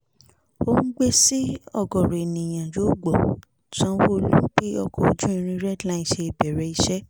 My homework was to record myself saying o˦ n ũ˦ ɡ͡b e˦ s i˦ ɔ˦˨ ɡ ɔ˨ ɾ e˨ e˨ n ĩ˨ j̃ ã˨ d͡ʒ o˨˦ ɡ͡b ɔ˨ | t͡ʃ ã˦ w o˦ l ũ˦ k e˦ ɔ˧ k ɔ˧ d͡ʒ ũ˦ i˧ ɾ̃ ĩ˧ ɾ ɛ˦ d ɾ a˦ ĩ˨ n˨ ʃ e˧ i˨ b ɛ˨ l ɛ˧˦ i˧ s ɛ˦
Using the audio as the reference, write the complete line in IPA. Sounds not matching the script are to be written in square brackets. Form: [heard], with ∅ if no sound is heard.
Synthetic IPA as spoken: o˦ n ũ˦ ɡ͡b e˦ s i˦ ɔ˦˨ ɡ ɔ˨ ɾ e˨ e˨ n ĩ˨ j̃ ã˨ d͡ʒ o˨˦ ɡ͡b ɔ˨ | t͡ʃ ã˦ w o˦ l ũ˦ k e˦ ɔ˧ k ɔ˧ d͡ʒ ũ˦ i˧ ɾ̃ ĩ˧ ɾ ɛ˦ d [l] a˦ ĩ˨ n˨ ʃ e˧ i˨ b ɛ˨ [ɾ] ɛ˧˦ i˧ [ʃ] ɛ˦